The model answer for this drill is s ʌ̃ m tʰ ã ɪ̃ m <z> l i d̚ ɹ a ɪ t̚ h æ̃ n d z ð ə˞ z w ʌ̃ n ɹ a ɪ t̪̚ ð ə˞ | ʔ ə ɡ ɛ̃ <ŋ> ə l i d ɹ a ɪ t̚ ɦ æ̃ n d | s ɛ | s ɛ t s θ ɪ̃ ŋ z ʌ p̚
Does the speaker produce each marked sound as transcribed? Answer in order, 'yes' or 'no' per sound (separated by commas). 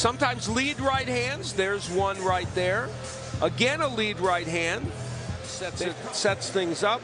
yes, no